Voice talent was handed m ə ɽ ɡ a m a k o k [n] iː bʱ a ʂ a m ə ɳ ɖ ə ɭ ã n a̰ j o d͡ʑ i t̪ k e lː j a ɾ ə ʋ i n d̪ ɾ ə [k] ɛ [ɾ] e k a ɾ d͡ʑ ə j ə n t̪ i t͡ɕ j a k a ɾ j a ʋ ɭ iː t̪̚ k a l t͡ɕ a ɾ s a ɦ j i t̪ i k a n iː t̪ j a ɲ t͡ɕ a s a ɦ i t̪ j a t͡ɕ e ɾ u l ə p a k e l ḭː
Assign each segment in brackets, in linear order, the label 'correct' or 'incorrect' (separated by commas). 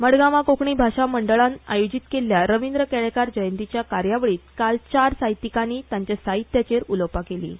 incorrect, correct, incorrect